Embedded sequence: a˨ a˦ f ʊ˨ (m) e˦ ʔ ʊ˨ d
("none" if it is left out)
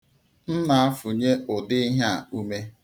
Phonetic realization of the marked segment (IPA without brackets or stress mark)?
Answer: ɲ